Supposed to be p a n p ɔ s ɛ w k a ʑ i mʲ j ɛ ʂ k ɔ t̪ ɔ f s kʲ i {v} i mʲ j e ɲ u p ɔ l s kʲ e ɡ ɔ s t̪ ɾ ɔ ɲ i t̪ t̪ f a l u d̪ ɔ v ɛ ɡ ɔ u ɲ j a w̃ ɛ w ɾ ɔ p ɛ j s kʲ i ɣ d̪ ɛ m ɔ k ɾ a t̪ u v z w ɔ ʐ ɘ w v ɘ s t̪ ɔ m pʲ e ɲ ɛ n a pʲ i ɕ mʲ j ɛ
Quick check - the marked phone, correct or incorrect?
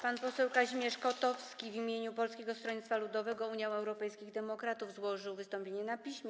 correct